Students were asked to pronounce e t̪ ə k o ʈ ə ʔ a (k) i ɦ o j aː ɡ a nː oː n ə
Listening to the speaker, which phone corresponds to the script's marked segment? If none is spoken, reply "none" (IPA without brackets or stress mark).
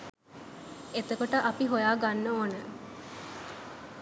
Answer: p